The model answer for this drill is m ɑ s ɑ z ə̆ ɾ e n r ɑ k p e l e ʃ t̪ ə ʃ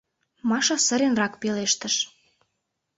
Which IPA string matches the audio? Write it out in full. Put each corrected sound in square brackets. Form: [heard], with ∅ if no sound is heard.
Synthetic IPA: m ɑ [ʃ] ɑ [s] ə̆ ɾ e n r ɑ k p e l e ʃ t̪ ə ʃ